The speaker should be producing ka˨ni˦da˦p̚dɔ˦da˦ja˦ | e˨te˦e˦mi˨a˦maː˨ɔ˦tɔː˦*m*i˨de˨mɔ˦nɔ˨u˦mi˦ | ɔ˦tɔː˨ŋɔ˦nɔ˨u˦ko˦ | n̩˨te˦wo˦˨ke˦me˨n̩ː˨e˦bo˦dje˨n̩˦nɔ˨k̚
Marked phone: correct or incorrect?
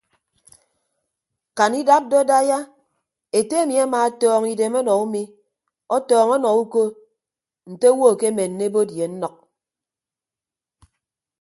incorrect